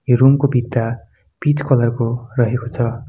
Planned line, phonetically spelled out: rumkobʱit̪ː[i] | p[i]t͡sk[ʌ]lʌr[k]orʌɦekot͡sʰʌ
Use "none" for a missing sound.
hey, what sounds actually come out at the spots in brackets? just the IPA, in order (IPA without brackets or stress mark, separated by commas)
a, i, ʌ, k